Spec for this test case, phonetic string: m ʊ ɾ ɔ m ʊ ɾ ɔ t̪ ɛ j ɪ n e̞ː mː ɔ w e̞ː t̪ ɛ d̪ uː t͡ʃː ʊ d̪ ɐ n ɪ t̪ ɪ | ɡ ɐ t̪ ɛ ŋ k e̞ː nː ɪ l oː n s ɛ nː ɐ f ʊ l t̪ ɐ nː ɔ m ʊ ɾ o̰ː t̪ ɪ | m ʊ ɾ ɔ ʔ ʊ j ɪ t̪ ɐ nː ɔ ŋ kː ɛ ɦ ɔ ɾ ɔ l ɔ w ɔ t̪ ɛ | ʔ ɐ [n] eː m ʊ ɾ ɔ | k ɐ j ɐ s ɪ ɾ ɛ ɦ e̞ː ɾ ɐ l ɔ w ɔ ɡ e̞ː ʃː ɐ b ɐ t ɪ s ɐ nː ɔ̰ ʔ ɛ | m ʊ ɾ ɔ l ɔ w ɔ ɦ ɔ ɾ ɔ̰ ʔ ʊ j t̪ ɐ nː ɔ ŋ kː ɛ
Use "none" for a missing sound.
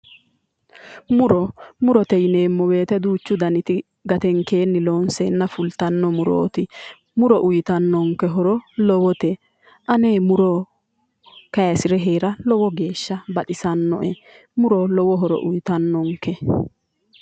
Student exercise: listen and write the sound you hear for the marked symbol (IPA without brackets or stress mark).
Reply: n